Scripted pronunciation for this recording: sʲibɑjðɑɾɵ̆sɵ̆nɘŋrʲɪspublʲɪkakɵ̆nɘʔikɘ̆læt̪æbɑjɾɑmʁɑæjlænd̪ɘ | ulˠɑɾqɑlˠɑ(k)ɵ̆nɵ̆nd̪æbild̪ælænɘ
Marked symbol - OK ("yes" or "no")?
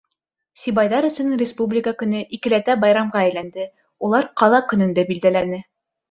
yes